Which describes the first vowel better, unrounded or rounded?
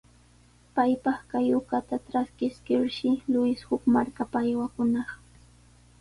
unrounded